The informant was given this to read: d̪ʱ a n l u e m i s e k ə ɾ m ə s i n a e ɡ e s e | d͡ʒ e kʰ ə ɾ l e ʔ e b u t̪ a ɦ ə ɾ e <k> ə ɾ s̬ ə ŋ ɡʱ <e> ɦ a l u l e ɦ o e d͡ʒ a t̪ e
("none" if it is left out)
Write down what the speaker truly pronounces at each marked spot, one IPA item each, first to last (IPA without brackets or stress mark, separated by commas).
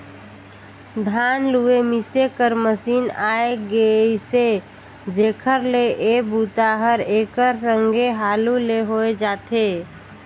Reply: k, e